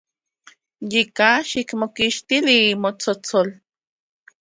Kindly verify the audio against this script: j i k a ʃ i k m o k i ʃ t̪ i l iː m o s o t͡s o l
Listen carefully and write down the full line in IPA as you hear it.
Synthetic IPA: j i k a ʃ i k m o k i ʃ t̪ i l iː m o t͡s o t͡s o l